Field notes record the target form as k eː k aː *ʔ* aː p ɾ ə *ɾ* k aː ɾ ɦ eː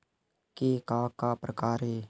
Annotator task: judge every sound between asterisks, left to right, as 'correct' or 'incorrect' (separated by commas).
incorrect, incorrect